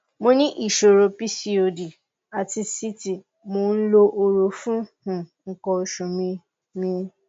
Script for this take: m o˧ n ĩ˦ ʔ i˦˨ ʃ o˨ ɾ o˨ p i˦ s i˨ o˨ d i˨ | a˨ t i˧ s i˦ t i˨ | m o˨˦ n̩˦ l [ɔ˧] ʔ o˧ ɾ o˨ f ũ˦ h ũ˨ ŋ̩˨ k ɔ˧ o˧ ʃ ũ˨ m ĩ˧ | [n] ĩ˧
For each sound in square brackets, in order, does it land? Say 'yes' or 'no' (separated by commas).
no, no